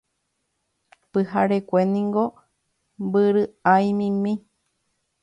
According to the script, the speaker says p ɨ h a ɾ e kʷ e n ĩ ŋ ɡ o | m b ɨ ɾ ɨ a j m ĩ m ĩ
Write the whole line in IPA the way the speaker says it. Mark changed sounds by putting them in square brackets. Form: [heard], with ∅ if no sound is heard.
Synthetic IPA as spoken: p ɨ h a ɾ e kʷ e n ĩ ŋ ɡ o | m b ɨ ɾ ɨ a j m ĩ m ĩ